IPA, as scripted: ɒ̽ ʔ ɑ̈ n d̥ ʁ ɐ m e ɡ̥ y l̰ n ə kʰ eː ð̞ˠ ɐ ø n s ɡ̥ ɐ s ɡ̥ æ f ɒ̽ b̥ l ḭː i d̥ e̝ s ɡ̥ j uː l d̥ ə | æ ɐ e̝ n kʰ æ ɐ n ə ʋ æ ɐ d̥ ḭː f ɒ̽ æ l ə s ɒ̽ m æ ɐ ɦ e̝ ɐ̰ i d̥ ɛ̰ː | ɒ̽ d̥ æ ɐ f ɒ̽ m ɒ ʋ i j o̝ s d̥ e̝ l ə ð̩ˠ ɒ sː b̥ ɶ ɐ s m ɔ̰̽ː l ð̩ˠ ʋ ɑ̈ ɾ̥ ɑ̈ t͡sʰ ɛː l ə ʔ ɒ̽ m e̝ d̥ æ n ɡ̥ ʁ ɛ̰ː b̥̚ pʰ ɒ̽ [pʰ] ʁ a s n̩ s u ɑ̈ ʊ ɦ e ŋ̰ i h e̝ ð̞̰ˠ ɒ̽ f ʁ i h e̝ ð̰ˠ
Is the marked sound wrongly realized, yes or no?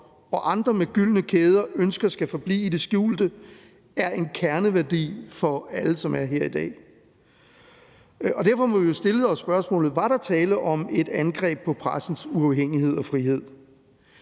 no